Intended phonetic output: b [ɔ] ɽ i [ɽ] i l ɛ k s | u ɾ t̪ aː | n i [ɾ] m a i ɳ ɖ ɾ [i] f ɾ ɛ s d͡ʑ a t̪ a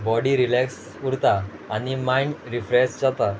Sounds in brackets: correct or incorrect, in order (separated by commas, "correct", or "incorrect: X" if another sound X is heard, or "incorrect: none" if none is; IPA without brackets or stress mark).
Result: correct, incorrect: ɾ, incorrect: none, correct